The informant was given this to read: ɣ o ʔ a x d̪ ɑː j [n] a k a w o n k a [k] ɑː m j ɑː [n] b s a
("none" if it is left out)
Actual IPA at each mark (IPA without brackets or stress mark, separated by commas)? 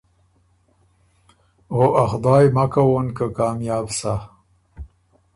m, k, none